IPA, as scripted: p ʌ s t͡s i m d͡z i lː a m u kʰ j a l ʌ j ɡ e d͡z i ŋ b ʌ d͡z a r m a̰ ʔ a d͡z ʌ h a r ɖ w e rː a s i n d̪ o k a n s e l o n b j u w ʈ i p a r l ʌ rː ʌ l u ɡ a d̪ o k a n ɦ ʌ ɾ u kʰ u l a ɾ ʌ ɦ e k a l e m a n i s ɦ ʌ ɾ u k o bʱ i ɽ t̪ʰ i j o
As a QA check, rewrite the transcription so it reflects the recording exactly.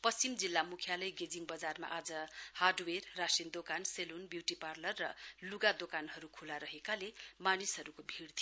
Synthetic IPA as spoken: p ʌ s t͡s i m d͡z i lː a m u kʰ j a l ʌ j ɡ e d͡z i ŋ b ʌ d͡z a r m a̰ ʔ a d͡z ʌ h a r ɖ w e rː a s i n d̪ o k a n s e l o n b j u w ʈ i p a r l ʌ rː ʌ l u ɡ a d̪ o k a n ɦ ʌ ɾ u kʰ u l a ɾ ʌ ɦ e k a l e m a n i s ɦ ʌ ɾ u k o bʱ i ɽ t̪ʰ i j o